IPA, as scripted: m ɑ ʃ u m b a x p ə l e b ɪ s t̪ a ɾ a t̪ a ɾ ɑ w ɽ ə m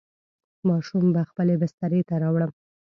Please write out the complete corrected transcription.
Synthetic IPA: m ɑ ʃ u m b a x p ə l e b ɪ s t̪ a ɾ e t̪ a ɾ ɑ w ɽ ə m